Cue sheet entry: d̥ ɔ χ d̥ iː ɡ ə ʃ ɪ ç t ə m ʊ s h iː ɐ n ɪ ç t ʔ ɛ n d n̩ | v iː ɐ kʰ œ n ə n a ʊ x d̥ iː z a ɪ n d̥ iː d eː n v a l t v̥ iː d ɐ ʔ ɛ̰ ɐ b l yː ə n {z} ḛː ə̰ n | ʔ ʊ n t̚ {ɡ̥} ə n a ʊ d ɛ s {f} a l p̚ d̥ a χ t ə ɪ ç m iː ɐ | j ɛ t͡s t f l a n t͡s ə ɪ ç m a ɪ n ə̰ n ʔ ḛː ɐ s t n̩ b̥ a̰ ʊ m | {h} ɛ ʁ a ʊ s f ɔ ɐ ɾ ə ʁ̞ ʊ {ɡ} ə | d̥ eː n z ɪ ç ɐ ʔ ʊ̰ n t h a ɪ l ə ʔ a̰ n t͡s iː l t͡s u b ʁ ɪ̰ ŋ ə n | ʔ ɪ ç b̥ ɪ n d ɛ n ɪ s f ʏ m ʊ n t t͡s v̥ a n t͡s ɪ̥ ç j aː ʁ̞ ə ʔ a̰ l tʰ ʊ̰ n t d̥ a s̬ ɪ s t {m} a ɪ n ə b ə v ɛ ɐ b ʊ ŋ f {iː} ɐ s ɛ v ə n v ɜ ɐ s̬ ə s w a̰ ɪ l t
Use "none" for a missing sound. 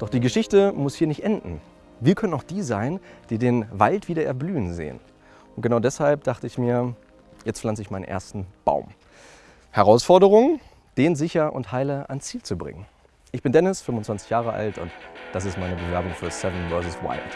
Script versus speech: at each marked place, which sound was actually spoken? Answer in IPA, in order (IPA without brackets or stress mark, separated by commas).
z, ɡ̥, h, h, ŋ, m, yː